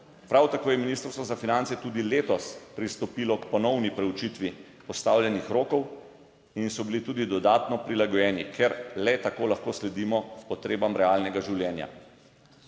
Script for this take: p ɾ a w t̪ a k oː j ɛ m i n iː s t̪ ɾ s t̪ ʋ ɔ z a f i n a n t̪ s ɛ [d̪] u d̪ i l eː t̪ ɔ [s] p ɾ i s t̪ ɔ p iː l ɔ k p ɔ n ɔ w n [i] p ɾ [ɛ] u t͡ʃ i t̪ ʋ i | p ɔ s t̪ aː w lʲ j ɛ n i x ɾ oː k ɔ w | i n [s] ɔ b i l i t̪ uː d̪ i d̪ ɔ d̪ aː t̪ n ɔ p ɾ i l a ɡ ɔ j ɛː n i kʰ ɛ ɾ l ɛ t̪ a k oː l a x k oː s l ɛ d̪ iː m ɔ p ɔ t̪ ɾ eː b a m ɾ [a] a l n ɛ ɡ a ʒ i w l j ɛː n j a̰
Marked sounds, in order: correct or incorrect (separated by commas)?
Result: incorrect, correct, correct, correct, correct, incorrect